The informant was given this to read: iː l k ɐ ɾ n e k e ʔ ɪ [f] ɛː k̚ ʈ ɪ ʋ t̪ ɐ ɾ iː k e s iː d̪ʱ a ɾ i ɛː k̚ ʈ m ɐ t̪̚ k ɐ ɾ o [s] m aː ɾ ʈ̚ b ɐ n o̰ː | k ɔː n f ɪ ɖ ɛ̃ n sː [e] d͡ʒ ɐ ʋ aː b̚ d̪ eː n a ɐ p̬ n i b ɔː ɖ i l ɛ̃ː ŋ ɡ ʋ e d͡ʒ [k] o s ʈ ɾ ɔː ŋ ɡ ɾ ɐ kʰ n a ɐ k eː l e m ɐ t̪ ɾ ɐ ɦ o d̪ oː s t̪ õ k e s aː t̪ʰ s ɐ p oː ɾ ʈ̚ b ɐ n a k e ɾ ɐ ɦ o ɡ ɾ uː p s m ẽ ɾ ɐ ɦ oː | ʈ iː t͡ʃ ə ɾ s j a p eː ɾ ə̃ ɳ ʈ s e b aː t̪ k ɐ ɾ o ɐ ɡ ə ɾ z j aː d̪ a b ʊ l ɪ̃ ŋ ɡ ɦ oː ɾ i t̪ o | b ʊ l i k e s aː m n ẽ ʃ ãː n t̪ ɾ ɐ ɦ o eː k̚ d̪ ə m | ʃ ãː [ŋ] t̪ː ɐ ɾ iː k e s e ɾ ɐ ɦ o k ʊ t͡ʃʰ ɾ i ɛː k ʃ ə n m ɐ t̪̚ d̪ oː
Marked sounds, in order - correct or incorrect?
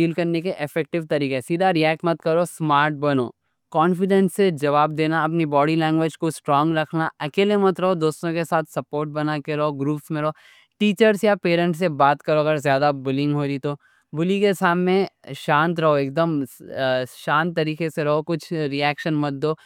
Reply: correct, correct, correct, correct, incorrect: n

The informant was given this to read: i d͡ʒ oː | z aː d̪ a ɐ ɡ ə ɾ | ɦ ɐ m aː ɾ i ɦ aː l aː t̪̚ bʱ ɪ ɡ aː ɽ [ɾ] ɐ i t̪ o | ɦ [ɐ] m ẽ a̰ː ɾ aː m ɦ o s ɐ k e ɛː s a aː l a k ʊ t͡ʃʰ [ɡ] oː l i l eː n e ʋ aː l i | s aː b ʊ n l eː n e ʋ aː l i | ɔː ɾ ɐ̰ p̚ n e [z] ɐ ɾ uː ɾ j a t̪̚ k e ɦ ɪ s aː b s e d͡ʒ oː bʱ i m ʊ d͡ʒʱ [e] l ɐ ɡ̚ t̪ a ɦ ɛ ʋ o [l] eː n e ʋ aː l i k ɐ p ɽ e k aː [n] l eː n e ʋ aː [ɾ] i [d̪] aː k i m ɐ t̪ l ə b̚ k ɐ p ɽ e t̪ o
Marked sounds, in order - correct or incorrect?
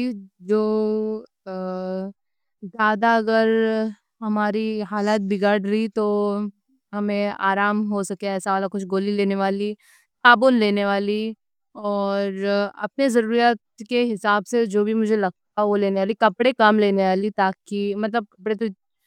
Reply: correct, correct, correct, correct, correct, correct, incorrect: m, incorrect: l, incorrect: t̪

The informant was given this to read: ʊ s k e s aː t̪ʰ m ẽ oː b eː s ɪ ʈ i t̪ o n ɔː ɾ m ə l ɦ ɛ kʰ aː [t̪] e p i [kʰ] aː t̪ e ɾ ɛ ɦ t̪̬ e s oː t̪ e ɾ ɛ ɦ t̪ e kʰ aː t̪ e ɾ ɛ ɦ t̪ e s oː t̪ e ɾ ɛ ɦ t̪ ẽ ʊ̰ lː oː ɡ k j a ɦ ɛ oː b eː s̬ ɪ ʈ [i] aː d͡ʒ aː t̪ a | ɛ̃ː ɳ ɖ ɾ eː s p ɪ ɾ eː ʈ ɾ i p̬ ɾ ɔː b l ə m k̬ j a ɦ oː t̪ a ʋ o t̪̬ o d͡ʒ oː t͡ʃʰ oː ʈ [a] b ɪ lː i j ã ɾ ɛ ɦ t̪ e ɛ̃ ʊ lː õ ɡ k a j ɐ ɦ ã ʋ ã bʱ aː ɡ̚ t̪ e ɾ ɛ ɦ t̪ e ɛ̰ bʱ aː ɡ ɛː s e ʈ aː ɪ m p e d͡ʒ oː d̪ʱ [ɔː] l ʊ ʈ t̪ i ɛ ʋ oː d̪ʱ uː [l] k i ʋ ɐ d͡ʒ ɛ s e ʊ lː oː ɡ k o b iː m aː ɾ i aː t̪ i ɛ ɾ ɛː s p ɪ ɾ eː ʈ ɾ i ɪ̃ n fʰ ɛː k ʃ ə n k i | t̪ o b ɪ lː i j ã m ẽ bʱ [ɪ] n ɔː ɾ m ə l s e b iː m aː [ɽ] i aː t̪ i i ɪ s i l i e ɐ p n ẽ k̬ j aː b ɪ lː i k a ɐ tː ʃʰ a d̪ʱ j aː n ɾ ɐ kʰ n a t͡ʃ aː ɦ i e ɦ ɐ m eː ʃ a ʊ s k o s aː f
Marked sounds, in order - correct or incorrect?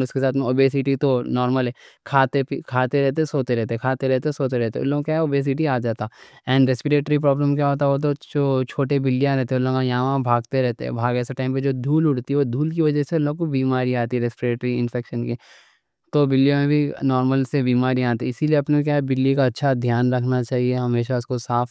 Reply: correct, correct, correct, incorrect: e, incorrect: uː, correct, incorrect: i, incorrect: ɾ

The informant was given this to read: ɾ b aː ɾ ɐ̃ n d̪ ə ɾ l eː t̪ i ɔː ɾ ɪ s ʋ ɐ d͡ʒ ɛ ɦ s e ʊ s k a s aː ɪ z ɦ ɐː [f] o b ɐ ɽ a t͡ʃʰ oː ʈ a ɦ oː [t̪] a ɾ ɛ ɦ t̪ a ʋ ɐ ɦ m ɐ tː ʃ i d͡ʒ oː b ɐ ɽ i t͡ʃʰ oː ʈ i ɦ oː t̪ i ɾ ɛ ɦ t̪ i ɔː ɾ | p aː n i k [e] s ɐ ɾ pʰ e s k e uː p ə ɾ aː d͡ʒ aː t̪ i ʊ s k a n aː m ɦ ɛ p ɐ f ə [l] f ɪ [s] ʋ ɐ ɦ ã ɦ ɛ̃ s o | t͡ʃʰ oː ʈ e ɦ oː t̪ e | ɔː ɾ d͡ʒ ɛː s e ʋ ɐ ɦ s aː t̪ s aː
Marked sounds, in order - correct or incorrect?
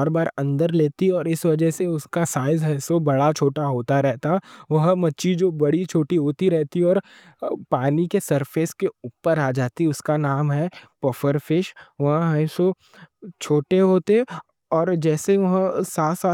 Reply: incorrect: s, correct, correct, incorrect: ɾ, incorrect: ʃ

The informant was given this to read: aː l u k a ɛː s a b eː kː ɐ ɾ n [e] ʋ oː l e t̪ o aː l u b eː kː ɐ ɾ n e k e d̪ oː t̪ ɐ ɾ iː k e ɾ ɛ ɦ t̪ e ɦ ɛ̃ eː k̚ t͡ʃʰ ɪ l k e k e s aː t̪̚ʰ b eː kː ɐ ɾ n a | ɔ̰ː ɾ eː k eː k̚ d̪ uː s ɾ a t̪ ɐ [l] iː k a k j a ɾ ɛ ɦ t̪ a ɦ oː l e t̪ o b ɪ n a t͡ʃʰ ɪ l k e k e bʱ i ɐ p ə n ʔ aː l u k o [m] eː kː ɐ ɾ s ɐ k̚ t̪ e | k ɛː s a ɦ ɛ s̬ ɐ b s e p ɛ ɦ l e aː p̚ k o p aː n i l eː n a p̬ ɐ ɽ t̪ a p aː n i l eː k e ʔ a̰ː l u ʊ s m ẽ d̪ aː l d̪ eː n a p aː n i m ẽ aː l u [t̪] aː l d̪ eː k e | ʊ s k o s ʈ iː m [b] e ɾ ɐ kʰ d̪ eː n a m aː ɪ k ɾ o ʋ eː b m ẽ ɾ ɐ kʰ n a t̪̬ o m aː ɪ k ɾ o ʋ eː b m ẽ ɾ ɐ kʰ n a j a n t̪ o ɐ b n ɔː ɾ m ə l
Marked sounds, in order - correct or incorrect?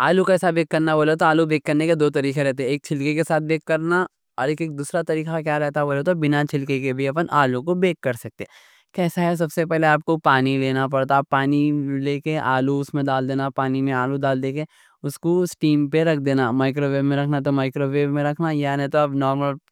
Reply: incorrect: a, incorrect: ɾ, incorrect: b, incorrect: d̪, incorrect: p

